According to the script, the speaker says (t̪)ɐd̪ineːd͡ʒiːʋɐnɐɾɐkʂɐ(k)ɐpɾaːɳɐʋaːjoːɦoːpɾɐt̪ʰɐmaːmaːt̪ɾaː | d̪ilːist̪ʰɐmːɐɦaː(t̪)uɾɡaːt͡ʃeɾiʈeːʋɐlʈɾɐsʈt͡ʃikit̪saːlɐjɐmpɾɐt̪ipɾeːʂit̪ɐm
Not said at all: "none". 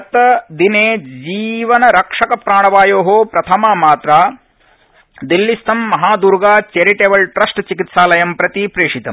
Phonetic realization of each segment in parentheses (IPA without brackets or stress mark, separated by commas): t̪, k, d̪